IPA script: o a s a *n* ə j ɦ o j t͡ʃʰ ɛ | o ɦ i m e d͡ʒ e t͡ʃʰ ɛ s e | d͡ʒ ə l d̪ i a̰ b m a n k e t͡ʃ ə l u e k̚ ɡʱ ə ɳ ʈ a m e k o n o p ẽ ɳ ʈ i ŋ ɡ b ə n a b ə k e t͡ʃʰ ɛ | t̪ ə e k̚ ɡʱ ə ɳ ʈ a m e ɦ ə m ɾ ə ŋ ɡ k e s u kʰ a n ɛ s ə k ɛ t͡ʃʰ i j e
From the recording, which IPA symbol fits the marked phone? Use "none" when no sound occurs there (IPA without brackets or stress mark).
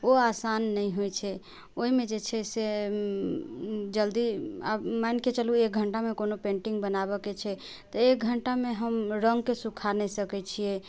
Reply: nː